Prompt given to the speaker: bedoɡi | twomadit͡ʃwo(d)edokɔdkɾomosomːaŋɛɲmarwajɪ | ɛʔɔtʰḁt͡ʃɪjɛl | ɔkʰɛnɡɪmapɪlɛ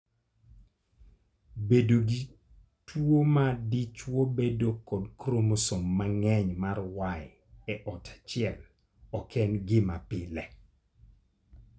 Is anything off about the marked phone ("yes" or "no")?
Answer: yes